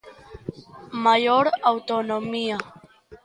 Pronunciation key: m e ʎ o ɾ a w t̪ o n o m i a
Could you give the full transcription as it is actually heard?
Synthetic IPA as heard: m a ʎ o ɾ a w t̪ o n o m i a

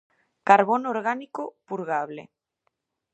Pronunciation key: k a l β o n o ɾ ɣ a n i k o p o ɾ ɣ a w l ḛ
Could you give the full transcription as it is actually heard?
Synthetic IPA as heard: k a ɾ β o n o ɾ ɣ a n i k o p u ɾ ɣ a β l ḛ

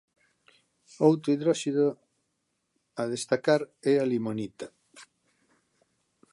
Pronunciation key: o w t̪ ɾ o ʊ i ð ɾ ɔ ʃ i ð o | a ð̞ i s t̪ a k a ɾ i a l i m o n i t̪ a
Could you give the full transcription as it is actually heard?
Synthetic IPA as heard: o w t̪ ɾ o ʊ i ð ɾ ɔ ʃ i ð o | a ð̞ e s t̪ a k a ɾ ɛ a l i m o n i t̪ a

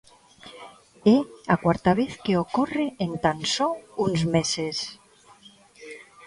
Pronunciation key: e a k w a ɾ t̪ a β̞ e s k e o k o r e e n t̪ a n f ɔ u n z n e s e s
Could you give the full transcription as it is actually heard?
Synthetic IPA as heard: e a k w a ɾ t̪ a β̞ e θ k e o k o r e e n t̪ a n s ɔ u n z m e s e s

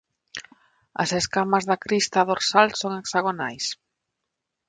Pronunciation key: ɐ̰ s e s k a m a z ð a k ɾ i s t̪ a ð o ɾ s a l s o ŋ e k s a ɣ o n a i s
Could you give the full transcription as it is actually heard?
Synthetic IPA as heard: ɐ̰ s e s k a m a z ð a k ɾ i s t̪ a ð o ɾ s a l s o ŋ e k s a ɣ o n a j s

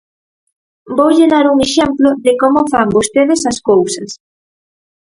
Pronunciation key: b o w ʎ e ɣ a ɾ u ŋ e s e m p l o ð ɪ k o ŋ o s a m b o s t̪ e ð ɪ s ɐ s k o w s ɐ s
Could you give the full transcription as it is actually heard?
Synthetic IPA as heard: b o w ʎ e ð a ɾ u ŋ e ʃ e m p l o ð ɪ k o m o f a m b o s t̪ e ð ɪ s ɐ s k o w s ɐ s

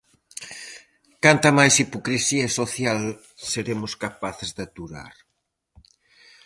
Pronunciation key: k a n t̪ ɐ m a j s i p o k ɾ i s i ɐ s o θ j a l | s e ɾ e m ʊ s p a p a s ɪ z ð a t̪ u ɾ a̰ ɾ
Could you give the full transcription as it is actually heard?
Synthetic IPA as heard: k a n t̪ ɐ m a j s i p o k ɾ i s i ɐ s o θ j a l | s e ɾ e m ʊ s k a p a θ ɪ z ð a t̪ u ɾ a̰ ɾ

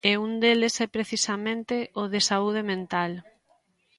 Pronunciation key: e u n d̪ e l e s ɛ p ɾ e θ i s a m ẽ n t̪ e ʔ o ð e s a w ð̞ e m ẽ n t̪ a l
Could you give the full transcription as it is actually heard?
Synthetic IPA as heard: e u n d̪ e l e s ɛ p ɾ e θ i s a m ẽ n t̪ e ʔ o ð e s a u ð̞ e m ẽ n t̪ a l

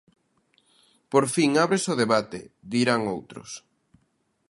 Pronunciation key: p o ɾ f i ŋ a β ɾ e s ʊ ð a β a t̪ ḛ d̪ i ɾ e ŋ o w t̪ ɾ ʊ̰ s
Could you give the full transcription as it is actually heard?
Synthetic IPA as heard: p o ɾ f i ŋ a β ɾ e s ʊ ð e β a t̪ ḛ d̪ i ɾ a ŋ o w t̪ ɾ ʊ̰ s

